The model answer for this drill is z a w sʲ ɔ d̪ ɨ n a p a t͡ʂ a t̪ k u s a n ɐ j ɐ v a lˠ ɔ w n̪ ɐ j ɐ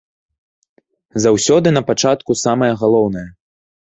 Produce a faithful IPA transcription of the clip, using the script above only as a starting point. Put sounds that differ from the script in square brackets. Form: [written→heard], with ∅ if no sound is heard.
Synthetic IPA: z a w sʲ ɔ d̪ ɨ n [a→ɐ] p a t͡ʂ a t̪ k u s a [n→m] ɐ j ɐ [v→ɣ] a lˠ ɔ w n̪ ɐ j ɐ